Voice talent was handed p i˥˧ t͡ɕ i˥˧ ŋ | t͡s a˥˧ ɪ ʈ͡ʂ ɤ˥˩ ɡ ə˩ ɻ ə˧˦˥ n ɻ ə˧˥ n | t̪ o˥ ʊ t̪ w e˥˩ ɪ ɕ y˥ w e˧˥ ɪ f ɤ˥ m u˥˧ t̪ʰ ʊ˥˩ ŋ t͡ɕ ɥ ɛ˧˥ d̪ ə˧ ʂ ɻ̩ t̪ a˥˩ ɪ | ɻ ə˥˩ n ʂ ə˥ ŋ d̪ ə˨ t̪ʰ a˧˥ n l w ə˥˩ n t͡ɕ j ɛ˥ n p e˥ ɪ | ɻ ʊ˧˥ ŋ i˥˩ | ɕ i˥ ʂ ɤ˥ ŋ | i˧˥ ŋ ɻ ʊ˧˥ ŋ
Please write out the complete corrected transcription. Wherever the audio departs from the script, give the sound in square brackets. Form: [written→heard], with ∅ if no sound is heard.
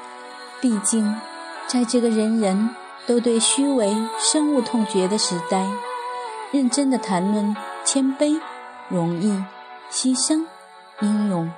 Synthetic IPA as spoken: p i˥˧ t͡ɕ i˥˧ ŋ | t͡s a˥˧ ɪ ʈ͡ʂ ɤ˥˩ ɡ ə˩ ɻ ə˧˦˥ n ɻ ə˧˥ n | t̪ o˥ ʊ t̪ w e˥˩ ɪ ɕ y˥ w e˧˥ ɪ [f→ʂ] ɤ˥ [m→ŋ] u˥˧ t̪ʰ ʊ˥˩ ŋ t͡ɕ ɥ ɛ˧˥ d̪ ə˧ ʂ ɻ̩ t̪ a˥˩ ɪ | ɻ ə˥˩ n [ʂ→ʈ͡ʂ] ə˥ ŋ d̪ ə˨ t̪ʰ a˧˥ n l w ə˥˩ n [t͡ɕ→t͡ɕʰ] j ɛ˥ n p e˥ ɪ | ɻ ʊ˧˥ ŋ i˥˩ | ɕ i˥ ʂ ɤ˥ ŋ | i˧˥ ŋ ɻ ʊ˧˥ ŋ